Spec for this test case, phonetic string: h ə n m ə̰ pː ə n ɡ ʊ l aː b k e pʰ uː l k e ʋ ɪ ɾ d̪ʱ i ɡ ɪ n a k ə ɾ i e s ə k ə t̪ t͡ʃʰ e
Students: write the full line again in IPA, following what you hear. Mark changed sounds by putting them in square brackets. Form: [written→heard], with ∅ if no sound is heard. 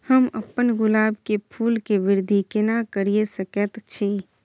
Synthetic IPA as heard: h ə [n→∅] m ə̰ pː ə n ɡ ʊ l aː b k e pʰ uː l k e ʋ ɪ ɾ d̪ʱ i [ɡ→k] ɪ n a k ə ɾ i e s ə k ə t̪ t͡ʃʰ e